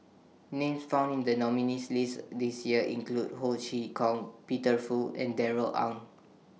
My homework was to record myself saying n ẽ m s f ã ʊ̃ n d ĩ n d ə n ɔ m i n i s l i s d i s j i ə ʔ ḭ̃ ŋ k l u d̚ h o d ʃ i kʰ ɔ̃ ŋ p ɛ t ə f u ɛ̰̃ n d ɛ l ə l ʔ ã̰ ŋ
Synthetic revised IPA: n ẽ m s f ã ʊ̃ n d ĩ n d ə n ɔ m i n i s l i s d i s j i ə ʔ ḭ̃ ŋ k l u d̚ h o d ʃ i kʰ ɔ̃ ŋ p i t ə f u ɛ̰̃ n d ɛ ɹ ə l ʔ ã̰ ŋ